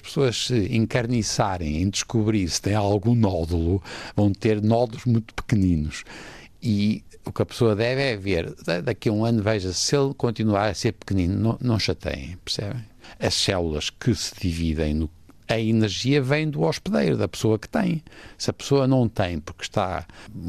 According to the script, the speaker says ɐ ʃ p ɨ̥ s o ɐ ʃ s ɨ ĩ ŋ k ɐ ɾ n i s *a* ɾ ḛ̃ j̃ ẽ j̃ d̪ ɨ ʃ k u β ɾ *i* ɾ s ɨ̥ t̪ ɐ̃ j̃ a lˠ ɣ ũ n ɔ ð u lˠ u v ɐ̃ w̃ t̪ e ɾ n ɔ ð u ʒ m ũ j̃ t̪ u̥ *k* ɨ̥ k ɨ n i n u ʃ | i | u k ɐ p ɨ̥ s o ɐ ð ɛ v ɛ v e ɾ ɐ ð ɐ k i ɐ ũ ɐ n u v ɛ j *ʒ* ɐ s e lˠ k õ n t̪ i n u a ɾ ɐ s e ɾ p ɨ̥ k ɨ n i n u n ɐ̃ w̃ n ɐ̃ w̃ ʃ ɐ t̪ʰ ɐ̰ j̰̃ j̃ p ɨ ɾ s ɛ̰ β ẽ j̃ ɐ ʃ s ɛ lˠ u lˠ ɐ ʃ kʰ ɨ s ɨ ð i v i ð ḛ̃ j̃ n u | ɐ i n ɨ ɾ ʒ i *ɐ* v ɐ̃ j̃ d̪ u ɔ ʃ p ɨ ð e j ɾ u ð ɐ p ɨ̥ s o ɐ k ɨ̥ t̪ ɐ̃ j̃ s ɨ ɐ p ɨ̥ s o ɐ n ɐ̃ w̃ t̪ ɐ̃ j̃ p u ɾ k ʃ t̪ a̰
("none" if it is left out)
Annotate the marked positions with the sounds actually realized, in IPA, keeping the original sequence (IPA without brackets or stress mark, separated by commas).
a, i, p, ʒ, ɐ